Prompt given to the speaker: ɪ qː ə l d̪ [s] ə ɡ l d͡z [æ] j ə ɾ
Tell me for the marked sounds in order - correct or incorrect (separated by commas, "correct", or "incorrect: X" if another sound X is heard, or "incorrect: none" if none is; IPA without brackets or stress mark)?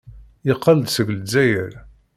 correct, correct